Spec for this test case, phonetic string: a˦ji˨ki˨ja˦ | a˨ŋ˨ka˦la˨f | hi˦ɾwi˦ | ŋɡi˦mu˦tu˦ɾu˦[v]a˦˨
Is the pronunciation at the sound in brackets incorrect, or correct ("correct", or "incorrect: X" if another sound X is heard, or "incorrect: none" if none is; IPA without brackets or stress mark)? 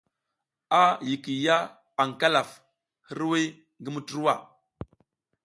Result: incorrect: w